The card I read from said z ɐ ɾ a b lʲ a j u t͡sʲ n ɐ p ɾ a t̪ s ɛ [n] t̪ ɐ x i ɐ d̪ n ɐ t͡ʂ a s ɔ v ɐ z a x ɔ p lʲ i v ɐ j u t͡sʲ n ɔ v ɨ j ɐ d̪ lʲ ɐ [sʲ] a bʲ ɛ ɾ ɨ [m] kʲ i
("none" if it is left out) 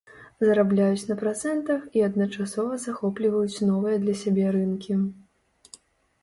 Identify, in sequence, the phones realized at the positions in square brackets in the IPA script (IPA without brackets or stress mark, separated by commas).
n, sʲ, n